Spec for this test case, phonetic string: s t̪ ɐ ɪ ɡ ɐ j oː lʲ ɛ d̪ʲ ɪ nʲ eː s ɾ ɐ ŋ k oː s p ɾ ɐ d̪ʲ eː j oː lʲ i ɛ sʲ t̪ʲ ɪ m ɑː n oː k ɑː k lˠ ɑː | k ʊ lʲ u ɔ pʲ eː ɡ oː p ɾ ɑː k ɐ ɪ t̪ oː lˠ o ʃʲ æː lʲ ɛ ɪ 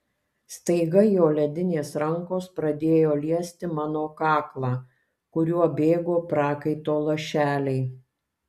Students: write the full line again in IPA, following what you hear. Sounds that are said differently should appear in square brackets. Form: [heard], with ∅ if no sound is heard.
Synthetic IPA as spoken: s t̪ ɐ ɪ ɡ ɐ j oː lʲ ɛ d̪ʲ ɪ nʲ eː s ɾ ɐ ŋ k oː s p ɾ ɐ d̪ʲ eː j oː lʲ i ɛ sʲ t̪ʲ ɪ m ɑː n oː k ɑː k lˠ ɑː | k ʊ [ɾʲ] u ɔ [bʲ] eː ɡ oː p ɾ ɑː k ɐ ɪ t̪ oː lˠ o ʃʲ æː lʲ ɛ ɪ

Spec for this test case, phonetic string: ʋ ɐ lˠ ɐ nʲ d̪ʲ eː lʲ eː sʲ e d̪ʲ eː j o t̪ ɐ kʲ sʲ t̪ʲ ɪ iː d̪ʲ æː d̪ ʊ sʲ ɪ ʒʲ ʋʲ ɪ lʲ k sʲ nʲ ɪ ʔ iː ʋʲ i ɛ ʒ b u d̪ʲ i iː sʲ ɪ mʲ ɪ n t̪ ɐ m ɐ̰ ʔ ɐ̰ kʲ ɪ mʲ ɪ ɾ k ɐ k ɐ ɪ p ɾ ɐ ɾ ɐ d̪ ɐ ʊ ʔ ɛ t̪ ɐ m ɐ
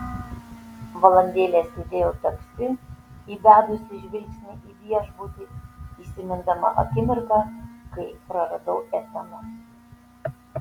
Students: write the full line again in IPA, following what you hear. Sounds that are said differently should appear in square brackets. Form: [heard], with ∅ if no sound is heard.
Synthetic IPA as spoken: ʋ ɐ lˠ ɐ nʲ d̪ʲ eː lʲ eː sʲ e d̪ʲ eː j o t̪ ɐ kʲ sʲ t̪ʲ ɪ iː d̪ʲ æː d̪ ʊ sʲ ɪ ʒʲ ʋʲ ɪ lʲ k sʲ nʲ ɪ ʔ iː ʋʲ i ɛ ʒ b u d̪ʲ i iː sʲ ɪ mʲ ɪ n [d̪] ɐ m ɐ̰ ʔ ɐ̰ kʲ ɪ mʲ ɪ ɾ k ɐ k ɐ ɪ p ɾ ɐ ɾ ɐ d̪ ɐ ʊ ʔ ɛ t̪ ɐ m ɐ

